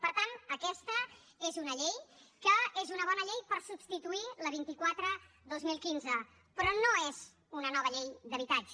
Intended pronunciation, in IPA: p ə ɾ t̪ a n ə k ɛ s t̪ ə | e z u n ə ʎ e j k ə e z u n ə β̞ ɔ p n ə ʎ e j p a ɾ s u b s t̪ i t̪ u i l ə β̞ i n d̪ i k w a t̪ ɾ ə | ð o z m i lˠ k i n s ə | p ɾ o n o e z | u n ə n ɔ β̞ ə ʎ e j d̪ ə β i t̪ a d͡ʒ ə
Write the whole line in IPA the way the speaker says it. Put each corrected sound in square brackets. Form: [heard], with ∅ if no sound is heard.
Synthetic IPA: p ə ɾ t̪ a n ə k ɛ s t̪ ə | e z u n ə ʎ e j k ə e z u n ə β̞ ɔ [∅] n ə ʎ e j p [ə] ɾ s u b s t̪ i t̪ u i l ə β̞ i n [t̪] i k w a t̪ ɾ ə | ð o z m i lˠ k i n [z] ə | p ɾ [ɔ] n o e z | u n ə n ɔ β̞ ə ʎ e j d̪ ə β i t̪ a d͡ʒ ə